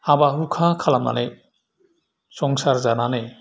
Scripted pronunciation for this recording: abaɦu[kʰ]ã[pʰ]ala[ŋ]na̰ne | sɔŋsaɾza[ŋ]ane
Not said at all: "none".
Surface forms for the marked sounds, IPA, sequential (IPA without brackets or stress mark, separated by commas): kʰ, kʰ, m, n